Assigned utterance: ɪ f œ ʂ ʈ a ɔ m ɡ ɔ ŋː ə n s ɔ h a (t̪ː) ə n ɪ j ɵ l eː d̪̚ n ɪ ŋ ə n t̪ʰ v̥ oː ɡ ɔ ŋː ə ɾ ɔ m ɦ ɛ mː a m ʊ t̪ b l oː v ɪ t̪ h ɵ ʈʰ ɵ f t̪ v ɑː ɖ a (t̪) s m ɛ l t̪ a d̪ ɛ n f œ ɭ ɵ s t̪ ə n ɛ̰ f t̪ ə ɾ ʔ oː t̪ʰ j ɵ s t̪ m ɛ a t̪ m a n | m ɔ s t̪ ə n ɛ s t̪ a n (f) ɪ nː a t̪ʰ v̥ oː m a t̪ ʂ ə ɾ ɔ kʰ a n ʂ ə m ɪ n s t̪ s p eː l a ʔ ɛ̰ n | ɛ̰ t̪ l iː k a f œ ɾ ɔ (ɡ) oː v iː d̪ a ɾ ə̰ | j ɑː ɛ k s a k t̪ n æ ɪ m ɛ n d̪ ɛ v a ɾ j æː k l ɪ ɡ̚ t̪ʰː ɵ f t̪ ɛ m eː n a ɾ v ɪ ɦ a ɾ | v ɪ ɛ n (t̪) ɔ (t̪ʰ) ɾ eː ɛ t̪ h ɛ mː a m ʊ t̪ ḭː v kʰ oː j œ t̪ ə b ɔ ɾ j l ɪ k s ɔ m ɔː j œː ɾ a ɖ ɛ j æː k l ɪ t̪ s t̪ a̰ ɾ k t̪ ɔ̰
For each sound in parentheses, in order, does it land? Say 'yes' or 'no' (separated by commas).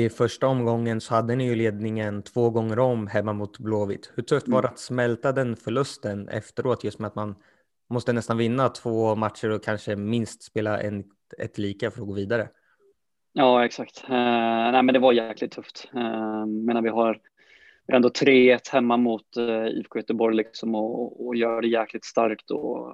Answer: no, yes, no, yes, no, yes